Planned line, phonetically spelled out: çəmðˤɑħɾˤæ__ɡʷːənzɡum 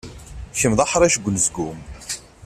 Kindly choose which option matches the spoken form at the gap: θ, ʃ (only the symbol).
ʃ